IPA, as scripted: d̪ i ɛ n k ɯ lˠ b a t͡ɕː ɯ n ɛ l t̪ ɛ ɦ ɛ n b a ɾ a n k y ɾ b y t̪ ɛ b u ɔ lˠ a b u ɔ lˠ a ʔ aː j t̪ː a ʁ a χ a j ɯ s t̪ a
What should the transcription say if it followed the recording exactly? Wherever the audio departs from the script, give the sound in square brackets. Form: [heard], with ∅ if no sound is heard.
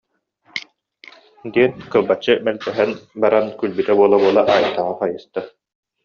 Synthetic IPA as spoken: d̪ i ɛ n k ɯ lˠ b a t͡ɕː ɯ [m] ɛ l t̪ ɛ ɦ ɛ n b a ɾ a n k y [l] b y t̪ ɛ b u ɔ lˠ a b u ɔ lˠ a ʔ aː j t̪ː a ʁ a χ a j ɯ s t̪ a